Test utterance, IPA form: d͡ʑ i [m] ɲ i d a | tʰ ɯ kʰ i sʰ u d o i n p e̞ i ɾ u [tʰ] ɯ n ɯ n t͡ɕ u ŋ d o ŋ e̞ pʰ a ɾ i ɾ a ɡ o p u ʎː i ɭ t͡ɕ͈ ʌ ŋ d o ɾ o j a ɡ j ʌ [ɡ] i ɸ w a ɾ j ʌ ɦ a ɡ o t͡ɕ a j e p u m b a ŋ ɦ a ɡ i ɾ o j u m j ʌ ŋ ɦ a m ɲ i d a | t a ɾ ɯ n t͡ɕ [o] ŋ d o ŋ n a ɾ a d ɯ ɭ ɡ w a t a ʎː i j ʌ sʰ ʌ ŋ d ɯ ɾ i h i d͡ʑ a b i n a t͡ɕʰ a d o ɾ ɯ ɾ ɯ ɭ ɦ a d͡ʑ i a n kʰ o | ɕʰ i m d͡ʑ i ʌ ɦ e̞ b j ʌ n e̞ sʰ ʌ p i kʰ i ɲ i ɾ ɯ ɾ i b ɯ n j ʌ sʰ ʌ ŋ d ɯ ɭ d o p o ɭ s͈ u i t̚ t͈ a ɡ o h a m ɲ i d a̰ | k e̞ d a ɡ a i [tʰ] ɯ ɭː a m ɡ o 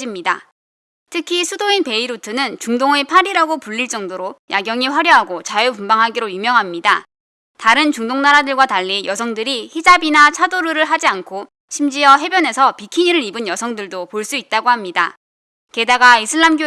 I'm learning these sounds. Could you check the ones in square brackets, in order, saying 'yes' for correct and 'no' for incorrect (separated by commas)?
yes, yes, no, no, no